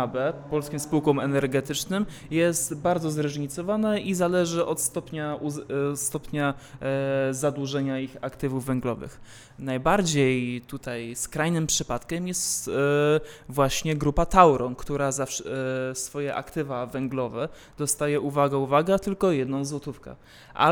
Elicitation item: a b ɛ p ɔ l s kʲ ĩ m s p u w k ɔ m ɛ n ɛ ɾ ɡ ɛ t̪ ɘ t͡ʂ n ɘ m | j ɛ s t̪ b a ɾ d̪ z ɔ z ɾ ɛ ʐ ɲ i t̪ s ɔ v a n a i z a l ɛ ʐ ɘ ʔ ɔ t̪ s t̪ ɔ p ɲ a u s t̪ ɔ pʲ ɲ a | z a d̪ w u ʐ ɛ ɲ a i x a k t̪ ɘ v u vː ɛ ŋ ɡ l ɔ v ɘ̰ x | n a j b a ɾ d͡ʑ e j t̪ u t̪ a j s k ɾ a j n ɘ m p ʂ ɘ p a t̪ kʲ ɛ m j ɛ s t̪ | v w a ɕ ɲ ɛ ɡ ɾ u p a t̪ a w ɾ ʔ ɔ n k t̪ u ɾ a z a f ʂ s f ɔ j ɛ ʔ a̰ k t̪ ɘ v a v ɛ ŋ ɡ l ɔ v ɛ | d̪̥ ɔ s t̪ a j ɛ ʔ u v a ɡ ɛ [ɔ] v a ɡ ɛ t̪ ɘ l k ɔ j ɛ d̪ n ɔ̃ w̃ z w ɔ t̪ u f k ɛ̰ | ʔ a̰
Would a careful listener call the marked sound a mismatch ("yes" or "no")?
yes